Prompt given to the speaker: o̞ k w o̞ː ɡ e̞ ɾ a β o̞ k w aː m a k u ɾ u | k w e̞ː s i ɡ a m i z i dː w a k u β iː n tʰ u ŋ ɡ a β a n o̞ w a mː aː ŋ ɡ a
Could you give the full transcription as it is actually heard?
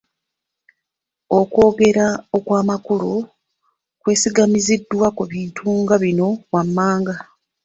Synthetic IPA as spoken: o̞ k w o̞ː ɡ e̞ ɾ a o̞ k w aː m a k u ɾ u | k w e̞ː s i ɡ a m i z i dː w a k u β iː n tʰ u ŋ ɡ a β i n o̞ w a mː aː ŋ ɡ a